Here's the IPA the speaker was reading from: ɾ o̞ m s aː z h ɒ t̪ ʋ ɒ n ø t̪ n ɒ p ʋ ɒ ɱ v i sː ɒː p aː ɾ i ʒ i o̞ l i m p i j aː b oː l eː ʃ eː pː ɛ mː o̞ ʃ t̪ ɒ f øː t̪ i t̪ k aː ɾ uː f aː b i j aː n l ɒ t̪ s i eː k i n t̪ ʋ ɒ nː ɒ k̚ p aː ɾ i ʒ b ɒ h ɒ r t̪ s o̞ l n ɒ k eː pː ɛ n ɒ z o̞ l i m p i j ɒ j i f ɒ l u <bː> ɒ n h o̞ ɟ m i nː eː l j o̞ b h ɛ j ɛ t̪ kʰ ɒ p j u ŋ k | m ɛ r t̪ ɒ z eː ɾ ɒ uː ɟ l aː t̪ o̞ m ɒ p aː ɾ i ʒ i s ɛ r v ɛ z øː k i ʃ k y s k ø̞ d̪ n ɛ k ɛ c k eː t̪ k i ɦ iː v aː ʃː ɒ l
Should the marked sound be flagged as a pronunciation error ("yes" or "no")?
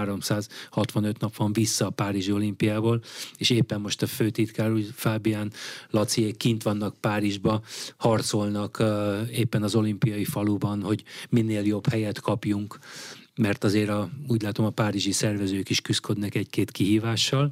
yes